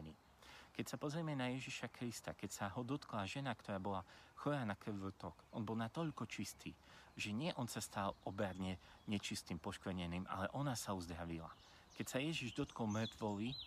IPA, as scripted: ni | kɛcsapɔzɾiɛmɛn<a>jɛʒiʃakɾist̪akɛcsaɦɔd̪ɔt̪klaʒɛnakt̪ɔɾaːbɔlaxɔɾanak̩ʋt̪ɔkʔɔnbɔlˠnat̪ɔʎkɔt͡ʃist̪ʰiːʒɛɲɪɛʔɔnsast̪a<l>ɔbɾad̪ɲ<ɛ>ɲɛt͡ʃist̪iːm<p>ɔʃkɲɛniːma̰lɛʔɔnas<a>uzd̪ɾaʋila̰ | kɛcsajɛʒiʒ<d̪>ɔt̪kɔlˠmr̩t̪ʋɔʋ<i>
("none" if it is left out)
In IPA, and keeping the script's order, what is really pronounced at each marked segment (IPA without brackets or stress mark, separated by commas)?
a, l, ɛ, p, a, d̪, i